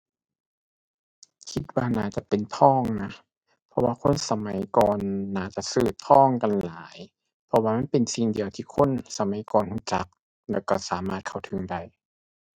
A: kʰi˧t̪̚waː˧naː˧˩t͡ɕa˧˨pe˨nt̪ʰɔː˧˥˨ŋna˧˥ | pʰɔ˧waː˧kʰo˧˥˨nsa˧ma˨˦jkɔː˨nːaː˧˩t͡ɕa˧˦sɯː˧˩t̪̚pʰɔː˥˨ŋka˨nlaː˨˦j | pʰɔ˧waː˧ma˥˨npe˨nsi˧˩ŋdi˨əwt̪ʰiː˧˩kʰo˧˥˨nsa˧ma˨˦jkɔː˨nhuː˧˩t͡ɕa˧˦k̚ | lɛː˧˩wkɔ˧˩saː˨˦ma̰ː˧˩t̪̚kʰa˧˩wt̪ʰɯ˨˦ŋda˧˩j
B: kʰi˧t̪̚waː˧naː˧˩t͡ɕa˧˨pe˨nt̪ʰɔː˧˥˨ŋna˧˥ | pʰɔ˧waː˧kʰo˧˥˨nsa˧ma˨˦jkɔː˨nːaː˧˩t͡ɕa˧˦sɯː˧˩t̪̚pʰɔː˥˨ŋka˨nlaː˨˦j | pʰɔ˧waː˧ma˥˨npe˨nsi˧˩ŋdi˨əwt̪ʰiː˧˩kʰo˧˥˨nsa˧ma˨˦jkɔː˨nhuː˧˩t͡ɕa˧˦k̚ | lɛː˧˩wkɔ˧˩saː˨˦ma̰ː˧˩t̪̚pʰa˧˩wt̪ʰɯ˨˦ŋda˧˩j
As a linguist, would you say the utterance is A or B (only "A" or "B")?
A